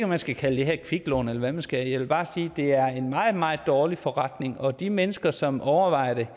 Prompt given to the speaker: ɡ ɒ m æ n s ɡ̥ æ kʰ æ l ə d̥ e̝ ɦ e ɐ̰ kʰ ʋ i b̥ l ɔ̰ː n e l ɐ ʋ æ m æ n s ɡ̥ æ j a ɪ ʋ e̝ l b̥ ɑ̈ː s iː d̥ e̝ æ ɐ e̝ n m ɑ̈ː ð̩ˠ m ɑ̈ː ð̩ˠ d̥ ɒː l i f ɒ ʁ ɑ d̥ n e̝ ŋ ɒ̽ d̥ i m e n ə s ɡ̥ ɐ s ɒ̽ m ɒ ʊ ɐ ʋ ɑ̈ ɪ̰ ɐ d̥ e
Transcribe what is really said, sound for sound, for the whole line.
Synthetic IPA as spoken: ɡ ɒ m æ n s ɡ̥ æ kʰ æ l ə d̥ e̝ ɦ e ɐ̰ kʰ ʋ i ɡ̥ l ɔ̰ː n e l ɐ ʋ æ m æ n s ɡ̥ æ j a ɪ ʋ e̝ l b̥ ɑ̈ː s iː d̥ e̝ æ ɐ e̝ n m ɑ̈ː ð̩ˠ m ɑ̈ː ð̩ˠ d̥ ɒː l i f ɒ ʁ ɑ d̥ n e̝ ŋ ɒ̽ d̥ i m e n ə s ɡ̥ ɐ s ɒ̽ m ɒ ʊ ɐ ʋ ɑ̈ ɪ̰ ɐ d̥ e